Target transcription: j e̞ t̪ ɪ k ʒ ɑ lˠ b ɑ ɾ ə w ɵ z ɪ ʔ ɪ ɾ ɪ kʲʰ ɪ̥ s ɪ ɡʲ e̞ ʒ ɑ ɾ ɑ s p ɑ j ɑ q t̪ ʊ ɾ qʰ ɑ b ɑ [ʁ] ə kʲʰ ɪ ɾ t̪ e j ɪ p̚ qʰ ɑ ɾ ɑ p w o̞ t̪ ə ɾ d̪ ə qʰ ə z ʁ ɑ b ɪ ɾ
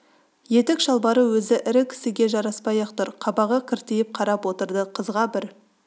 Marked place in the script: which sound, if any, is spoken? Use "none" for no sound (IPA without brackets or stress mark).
ʁ